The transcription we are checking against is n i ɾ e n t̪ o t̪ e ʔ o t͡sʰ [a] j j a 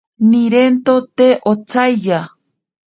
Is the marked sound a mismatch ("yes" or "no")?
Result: no